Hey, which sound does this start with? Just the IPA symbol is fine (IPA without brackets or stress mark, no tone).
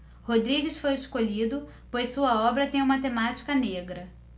h